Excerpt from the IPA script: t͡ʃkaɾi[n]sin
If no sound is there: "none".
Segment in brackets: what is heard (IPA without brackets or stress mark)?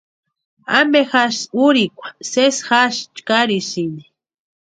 none